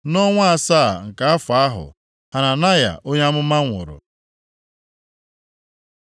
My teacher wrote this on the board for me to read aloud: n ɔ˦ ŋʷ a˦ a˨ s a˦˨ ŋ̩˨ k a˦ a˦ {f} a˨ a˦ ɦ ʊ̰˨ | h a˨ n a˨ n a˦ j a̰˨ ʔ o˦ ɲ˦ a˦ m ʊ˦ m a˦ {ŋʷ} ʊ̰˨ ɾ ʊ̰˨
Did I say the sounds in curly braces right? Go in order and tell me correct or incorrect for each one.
correct, correct

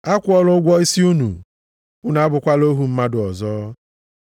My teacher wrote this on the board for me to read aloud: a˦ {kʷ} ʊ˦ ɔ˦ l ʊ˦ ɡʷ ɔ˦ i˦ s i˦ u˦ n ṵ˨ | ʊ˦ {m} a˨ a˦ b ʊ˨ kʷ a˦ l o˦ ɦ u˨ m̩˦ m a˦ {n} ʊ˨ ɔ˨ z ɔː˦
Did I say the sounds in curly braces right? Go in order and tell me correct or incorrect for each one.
correct, incorrect, incorrect

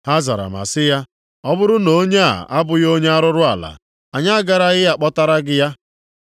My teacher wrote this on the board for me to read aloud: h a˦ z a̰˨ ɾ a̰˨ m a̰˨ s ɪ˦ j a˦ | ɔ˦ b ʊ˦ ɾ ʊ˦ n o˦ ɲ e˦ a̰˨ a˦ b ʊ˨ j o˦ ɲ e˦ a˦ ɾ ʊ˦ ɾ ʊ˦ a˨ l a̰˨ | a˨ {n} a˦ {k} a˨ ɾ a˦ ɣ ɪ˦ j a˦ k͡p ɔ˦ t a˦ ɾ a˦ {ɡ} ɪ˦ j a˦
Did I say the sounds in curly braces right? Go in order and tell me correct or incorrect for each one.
incorrect, incorrect, correct

